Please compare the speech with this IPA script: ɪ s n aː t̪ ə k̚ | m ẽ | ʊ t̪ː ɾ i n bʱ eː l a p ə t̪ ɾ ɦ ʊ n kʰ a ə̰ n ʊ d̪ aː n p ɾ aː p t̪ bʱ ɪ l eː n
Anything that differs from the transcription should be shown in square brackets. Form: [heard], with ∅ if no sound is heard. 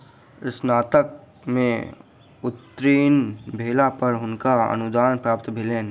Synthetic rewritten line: ɪ s n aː t̪ ə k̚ | m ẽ | ʊ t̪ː ɾ [iː] n bʱ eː l a p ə [∅] ɾ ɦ ʊ n [k] a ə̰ n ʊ d̪ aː n p ɾ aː p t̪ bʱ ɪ l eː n

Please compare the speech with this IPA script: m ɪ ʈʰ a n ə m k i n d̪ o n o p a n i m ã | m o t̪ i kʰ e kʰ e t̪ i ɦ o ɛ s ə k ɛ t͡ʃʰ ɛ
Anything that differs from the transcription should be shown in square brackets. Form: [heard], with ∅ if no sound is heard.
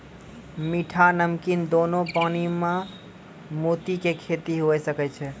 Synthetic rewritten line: m [i] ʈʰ a n ə m k i n d̪ o n o p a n i m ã | m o t̪ i [k] e kʰ e t̪ i ɦ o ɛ s ə k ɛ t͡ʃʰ ɛ

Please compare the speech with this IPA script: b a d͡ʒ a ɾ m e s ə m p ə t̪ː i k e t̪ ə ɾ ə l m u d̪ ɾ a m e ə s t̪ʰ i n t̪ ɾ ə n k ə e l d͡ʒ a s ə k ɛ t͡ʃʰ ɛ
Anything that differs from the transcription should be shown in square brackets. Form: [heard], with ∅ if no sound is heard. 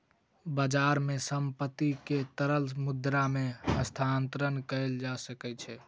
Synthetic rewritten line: b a d͡ʒ a ɾ m e s ə m p ə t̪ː i k e t̪ ə ɾ ə l m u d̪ ɾ a m e ə s t̪ʰ [a] n t̪ ɾ ə n k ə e l d͡ʒ a s ə k ɛ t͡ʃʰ ɛ

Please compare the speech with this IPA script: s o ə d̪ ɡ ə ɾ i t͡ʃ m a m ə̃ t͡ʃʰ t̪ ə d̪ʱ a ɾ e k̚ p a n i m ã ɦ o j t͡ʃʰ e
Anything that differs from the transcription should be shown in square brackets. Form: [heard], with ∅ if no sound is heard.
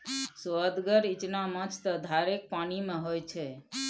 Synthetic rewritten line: s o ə d̪ ɡ ə ɾ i t͡ʃ [n] a m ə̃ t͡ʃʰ t̪ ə d̪ʱ a ɾ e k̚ p a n i m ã ɦ o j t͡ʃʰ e

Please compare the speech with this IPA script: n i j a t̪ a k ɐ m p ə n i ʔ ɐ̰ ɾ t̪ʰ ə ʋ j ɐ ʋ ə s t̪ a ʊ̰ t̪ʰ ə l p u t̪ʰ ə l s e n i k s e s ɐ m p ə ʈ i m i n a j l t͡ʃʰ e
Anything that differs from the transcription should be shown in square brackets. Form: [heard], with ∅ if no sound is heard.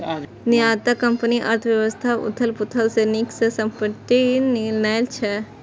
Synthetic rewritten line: n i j a t̪ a k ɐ m p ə n i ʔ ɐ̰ ɾ t̪ʰ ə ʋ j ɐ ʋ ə s [t̪ʰ] a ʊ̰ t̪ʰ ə l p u t̪ʰ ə l s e n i k s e s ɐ m p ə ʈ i [n] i n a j l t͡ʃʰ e

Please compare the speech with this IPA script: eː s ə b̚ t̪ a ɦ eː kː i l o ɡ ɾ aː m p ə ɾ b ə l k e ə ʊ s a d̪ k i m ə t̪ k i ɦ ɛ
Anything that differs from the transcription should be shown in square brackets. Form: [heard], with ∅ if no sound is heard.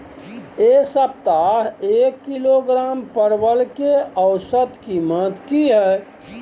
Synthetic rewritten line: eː s ə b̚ t̪ a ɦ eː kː i l o ɡ ɾ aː m p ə ɾ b ə l k e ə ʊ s [ə] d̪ k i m ə t̪ k i ɦ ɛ

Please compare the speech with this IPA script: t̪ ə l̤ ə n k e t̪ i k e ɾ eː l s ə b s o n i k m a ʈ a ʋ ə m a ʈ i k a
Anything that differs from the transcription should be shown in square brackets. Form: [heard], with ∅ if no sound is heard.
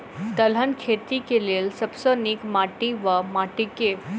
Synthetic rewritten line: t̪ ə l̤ ə n [kʰ] e t̪ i k e [l] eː l s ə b s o n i k m a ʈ [i] ʋ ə m a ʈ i k [e]

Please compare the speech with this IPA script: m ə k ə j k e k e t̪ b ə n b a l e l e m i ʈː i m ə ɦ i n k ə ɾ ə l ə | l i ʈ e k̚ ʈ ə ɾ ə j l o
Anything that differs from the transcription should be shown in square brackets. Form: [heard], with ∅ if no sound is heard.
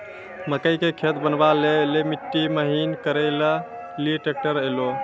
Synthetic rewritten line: m ə k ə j k e [kʰ] e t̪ b ə n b a l e l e m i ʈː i m ə ɦ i n k ə ɾ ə l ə | l i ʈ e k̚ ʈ ə ɾ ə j l o

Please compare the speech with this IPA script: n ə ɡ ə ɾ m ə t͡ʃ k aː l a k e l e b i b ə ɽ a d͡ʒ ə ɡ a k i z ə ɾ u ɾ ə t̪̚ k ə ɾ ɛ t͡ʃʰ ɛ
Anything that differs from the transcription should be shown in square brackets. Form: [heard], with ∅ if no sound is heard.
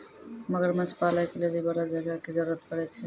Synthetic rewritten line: [m] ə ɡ ə ɾ m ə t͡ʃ [p] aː l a k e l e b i b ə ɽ a d͡ʒ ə ɡ a k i z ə ɾ u ɾ ə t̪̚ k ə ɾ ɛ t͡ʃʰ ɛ

